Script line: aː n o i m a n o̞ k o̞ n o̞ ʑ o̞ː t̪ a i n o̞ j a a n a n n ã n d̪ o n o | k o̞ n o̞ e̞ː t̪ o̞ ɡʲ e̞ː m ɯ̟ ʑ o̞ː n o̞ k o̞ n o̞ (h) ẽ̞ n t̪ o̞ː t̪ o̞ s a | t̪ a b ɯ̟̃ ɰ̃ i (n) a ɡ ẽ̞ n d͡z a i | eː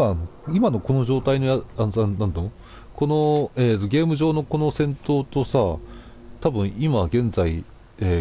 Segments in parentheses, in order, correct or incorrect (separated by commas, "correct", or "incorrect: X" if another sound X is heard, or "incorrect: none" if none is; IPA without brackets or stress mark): incorrect: s, incorrect: m